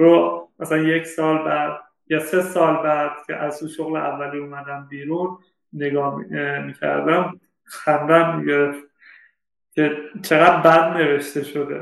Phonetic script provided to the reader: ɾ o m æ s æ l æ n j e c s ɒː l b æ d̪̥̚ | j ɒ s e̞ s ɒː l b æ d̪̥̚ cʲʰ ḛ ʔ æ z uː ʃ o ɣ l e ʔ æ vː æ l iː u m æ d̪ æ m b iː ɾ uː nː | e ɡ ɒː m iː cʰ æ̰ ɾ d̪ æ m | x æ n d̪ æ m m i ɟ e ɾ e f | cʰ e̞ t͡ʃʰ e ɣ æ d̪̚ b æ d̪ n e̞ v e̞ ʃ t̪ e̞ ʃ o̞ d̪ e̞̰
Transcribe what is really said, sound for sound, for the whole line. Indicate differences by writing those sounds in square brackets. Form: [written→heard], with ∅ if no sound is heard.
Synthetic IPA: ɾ o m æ s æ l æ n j e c s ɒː l b æ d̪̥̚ | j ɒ s e̞ s ɒː l b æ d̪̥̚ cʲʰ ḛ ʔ æ z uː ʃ o ɣ l e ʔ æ vː æ l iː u m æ d̪ æ m b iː ɾ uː nː | e ɡ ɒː m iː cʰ æ̰ ɾ d̪ æ m | x æ n d̪ æ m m i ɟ e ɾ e f | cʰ e̞ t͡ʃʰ e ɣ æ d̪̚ b æ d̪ n e̞ v e̞ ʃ t̪ e̞ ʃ o̞ d̪ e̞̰